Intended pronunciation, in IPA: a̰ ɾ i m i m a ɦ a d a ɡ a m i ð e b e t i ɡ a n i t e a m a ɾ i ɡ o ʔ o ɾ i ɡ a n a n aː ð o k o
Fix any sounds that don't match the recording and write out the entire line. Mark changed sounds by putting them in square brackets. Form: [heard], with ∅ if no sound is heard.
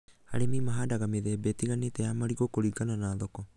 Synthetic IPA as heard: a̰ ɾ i m i m a ɦ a d a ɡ a m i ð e b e t i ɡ a n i t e a m a ɾ i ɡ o [k] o ɾ i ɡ a n a n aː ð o k o